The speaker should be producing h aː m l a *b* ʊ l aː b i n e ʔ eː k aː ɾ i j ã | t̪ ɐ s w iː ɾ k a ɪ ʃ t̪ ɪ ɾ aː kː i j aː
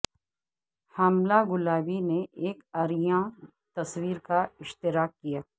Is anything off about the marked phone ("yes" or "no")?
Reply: yes